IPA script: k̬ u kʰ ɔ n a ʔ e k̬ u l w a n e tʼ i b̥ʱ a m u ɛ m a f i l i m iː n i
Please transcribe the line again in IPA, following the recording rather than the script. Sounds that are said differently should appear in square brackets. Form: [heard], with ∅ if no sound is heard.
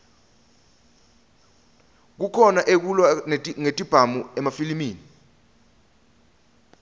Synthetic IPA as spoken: k̬ u kʰ ɔ n a ʔ e k̬ u l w a [ŋ] e tʼ i b̥ʱ a m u ɛ m a f i l i m iː n i